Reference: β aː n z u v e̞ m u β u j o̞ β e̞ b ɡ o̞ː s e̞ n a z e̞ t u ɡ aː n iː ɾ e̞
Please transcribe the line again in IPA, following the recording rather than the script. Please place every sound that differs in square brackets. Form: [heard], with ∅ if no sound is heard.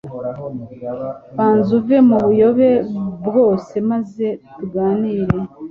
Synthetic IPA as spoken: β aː n z u v e̞ m u β u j o̞ β e̞ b ɡ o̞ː s e̞ [m] a z e̞ t u ɡ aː n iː ɾ e̞